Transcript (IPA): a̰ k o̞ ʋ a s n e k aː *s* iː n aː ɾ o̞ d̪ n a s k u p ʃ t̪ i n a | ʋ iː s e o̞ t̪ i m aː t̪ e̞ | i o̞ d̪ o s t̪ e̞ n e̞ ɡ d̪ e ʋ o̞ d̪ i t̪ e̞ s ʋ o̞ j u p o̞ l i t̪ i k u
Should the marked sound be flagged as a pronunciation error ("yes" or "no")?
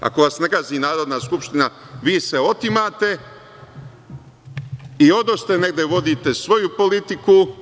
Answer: yes